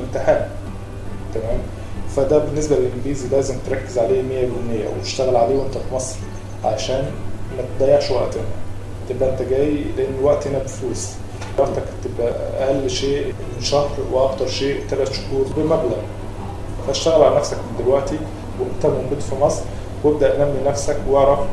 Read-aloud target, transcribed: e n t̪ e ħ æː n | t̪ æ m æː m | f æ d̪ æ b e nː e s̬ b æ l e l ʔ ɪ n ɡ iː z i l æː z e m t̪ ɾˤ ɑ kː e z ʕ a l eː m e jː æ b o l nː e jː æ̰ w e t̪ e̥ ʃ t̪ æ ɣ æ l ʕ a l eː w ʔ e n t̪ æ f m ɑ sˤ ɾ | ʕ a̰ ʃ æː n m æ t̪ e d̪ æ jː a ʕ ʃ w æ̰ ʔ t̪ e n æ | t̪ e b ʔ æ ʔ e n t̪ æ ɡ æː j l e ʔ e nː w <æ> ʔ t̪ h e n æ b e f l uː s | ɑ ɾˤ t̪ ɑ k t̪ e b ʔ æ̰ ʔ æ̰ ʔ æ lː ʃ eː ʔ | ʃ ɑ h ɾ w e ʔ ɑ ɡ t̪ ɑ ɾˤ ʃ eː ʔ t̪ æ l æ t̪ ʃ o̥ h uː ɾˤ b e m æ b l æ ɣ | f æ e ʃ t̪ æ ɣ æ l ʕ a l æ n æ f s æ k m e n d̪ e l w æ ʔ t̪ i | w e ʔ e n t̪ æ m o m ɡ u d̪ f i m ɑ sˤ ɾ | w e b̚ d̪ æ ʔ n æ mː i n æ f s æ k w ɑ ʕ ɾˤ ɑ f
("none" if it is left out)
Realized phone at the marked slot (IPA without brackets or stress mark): æ